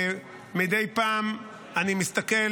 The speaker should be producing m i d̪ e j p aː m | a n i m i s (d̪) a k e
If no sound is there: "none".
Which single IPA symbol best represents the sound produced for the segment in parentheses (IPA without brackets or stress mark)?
t̪